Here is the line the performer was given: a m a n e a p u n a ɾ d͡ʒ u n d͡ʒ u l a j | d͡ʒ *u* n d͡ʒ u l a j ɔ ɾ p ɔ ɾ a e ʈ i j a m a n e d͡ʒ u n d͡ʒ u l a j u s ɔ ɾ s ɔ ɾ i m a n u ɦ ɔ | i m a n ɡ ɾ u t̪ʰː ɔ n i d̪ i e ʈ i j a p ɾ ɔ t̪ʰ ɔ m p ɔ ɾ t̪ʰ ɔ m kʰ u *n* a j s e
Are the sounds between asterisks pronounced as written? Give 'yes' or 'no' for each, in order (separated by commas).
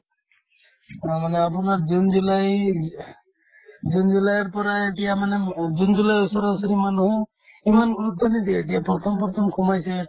yes, no